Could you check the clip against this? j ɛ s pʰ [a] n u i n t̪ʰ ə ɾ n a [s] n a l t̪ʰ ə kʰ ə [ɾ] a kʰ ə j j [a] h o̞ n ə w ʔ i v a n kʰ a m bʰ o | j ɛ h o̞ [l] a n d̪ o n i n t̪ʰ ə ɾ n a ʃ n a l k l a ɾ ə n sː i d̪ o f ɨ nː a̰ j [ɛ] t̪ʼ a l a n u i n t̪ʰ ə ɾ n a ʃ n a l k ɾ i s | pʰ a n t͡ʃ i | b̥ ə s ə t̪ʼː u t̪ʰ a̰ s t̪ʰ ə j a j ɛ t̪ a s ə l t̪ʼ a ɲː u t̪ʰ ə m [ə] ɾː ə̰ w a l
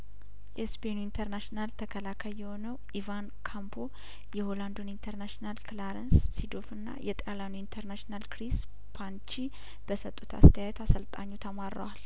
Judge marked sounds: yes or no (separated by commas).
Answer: no, no, no, no, yes, yes, no